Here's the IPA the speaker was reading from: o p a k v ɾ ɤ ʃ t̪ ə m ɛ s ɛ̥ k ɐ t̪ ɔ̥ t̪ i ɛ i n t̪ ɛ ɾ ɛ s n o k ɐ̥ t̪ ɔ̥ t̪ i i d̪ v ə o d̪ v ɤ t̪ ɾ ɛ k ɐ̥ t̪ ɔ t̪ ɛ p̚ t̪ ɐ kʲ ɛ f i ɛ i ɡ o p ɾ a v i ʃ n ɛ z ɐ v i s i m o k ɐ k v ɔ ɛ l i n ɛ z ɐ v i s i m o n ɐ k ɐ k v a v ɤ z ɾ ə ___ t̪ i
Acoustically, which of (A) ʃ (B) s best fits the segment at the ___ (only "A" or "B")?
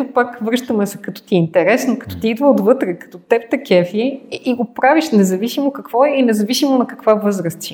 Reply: B